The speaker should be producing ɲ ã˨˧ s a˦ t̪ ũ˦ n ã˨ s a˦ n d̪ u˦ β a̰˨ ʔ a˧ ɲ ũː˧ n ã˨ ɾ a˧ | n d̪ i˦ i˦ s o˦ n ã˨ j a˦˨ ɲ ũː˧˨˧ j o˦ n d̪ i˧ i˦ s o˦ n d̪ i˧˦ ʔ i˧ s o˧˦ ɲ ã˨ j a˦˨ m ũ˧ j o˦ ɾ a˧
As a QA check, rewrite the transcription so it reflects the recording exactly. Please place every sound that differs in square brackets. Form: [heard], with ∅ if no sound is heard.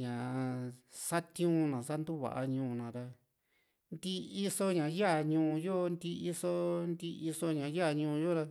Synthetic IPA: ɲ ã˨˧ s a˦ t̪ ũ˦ n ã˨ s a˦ n d̪ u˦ β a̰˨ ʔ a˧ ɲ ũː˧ n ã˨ ɾ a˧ | n d̪ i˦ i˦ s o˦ [ɲ] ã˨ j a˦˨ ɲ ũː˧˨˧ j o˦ n d̪ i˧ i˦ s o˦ n d̪ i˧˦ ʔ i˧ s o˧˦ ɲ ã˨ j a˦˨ [ɲ] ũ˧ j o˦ ɾ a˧